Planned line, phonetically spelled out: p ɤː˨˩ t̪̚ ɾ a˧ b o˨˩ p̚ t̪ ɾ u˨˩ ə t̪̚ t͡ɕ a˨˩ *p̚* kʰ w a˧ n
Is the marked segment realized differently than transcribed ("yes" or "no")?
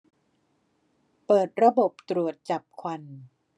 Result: no